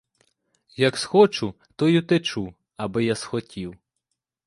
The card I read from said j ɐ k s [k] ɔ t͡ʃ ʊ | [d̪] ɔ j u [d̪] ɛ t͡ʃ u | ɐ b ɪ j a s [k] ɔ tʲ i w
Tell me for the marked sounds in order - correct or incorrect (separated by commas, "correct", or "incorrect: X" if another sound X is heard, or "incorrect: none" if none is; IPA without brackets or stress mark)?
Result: incorrect: x, incorrect: t̪, incorrect: t̪, incorrect: x